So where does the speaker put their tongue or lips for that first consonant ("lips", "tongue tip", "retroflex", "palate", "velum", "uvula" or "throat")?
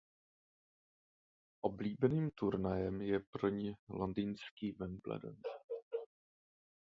throat